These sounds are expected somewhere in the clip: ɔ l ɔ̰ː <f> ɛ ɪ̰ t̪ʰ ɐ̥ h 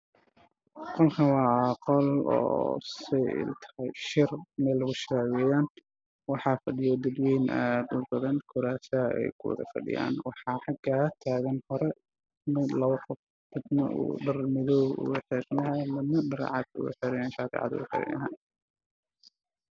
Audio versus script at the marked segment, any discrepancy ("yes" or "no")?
yes